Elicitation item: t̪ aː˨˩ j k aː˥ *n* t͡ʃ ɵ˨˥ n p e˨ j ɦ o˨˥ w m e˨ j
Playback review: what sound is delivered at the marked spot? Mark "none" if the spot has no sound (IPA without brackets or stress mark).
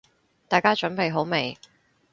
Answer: none